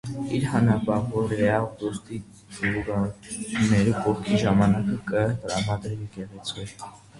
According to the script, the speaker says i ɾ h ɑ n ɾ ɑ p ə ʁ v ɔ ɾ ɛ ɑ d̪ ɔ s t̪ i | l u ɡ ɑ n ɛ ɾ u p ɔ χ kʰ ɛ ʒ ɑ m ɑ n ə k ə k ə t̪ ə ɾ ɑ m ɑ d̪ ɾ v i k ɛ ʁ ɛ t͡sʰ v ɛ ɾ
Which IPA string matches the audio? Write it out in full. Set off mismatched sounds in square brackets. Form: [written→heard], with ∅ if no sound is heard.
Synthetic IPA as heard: i ɾ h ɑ n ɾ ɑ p [ə→ɑ] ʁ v ɔ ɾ ɛ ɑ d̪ ɔ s t̪ i | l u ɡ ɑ n ɛ ɾ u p ɔ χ kʰ [ɛ→i] ʒ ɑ m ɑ n [ə→ɑ] k ə k ə t̪ ə ɾ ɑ m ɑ d̪ ɾ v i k ɛ ʁ ɛ t͡sʰ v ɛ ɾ

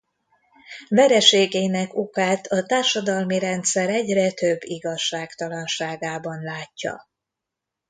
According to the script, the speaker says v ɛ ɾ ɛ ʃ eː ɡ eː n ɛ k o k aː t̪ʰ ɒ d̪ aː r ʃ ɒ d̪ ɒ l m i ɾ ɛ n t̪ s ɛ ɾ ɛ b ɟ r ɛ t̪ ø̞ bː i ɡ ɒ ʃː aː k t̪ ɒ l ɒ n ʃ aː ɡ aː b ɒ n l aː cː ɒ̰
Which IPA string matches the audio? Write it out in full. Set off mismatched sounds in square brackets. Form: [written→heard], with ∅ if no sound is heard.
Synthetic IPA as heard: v ɛ ɾ ɛ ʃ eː ɡ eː n ɛ k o k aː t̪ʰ ɒ [d̪→t̪] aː r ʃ ɒ d̪ ɒ l m i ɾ ɛ n t̪ s ɛ ɾ ɛ [b→∅] ɟ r ɛ t̪ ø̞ bː i ɡ ɒ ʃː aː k t̪ ɒ l ɒ n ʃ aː ɡ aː b ɒ n l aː cː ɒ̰

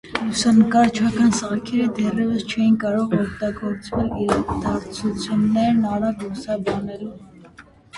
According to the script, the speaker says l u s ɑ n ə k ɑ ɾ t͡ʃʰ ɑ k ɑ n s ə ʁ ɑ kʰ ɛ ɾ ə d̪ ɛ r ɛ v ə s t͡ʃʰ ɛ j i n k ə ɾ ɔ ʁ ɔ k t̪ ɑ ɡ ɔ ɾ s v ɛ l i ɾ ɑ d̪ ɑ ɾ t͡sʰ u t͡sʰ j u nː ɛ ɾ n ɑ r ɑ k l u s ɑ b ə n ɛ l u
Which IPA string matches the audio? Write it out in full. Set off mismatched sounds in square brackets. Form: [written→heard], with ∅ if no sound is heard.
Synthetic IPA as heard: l u s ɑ n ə k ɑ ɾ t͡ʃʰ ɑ k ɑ n s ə ʁ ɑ kʰ ɛ ɾ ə d̪ ɛ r ɛ v ə s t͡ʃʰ ɛ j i n k [ə→ɑ] ɾ ɔ ʁ ɔ k t̪ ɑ ɡ ɔ ɾ [s→t͡s] v ɛ l i ɾ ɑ d̪ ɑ ɾ t͡sʰ u t͡sʰ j u nː ɛ ɾ n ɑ [r→ɾ] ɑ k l u s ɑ b [ə→ɑ] n ɛ l u

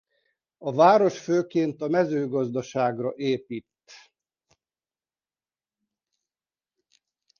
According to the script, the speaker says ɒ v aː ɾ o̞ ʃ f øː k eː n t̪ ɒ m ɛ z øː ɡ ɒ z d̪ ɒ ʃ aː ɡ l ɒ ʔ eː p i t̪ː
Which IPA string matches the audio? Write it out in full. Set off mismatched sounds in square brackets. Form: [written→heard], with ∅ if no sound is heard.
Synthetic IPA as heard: ɒ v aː ɾ o̞ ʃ f øː k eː n t̪ ɒ m ɛ z øː ɡ ɒ z d̪ ɒ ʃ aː ɡ [l→r] ɒ ʔ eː p i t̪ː

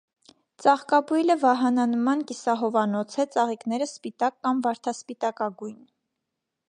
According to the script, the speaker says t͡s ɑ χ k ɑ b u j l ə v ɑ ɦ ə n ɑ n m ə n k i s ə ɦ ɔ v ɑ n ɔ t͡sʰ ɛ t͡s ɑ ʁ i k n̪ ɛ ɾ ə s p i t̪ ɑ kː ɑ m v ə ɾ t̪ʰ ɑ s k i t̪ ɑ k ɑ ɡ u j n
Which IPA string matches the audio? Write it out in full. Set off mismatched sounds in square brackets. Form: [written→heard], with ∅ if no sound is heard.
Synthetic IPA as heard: t͡s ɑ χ k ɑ b u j l ə v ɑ ɦ [ə→ɑ] n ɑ n m [ə→ɑ] n k i s [ə→ɑ] ɦ ɔ v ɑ n ɔ t͡sʰ ɛ t͡s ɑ ʁ i k n̪ ɛ ɾ ə s p i t̪ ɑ kː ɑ m v [ə→ɑ] ɾ t̪ʰ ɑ s [k→p] i t̪ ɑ k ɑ ɡ u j n

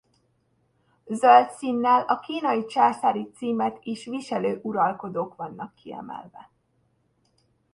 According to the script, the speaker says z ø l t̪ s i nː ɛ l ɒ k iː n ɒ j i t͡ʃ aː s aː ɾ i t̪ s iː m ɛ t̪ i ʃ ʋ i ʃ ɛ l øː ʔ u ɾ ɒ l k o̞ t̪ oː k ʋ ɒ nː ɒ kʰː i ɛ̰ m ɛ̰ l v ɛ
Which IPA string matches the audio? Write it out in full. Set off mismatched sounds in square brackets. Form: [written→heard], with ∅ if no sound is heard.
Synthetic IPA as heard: z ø l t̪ s i nː ɛ l ɒ k iː n ɒ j i t͡ʃ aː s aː ɾ i t̪ s iː m ɛ t̪ i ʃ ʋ i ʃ ɛ l øː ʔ u ɾ ɒ l k o̞ [t̪→d̪] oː k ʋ ɒ nː ɒ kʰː i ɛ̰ m ɛ̰ l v ɛ

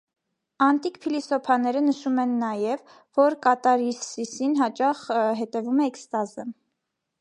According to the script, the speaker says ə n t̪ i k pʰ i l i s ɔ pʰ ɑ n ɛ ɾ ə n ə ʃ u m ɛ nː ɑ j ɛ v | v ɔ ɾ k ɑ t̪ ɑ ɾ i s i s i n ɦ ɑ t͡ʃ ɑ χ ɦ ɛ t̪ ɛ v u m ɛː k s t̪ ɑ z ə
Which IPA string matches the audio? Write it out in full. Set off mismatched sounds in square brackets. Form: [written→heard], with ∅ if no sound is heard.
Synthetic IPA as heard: [ə→ɑ] n t̪ i k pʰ i l i s ɔ pʰ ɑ n ɛ ɾ ə n ə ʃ u m ɛ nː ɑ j ɛ v | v ɔ ɾ k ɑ t̪ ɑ ɾ i s i s i n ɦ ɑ t͡ʃ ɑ χ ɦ ɛ t̪ ɛ v u m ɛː k s t̪ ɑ z ə

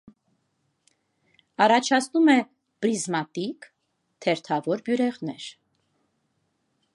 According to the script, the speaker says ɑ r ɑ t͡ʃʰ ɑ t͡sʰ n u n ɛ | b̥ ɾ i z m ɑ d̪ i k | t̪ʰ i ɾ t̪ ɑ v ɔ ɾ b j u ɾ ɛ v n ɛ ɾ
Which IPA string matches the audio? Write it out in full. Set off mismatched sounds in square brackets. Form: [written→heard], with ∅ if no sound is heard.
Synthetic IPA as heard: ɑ r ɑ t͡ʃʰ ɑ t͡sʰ n u [n→m] ɛ | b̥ ɾ i z m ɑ [d̪→t̪] i k | t̪ʰ [i→ɛ] ɾ [t̪→t̪ʰ] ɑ v ɔ ɾ b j u ɾ ɛ [v→ʁ] n ɛ ɾ

